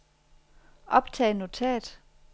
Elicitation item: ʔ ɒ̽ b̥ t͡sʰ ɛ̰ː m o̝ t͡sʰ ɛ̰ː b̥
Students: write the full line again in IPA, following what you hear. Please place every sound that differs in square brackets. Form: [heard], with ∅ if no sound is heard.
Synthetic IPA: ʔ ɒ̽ b̥ t͡sʰ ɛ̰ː [n] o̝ t͡sʰ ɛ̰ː [d̥]